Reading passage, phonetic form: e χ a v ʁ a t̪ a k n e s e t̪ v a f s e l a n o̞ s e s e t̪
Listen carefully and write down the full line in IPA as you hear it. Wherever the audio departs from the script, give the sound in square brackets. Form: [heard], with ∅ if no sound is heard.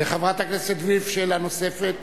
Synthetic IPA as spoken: e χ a v ʁ a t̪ a k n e s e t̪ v [i] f [ʃ] e l a n o̞ s e [f] e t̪